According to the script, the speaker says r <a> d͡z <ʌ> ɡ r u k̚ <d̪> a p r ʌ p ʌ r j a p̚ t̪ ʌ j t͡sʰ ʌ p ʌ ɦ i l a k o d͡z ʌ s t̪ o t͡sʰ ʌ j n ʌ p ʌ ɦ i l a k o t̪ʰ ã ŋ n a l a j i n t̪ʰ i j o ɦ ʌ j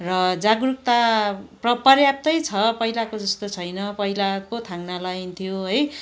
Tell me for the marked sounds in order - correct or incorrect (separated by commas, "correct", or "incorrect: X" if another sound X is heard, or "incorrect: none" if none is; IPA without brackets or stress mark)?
incorrect: ʌ, incorrect: a, incorrect: t̪